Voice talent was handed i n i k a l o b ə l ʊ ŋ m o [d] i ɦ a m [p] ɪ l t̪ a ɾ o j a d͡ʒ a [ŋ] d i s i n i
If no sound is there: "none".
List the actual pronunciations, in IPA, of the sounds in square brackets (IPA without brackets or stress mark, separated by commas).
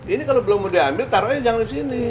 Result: d, b, ŋ